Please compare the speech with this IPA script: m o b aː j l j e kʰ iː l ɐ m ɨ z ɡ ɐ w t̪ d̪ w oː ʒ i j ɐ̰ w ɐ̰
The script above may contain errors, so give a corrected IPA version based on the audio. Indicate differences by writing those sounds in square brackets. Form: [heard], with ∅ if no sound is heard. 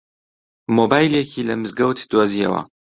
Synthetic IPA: m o b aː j l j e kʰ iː l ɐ m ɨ z ɡ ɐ w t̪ d̪ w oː [z] i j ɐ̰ w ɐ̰